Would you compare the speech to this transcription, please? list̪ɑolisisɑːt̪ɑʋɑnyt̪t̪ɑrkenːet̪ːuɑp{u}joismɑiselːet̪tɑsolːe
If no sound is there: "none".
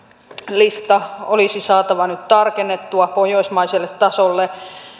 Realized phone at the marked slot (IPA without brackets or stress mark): o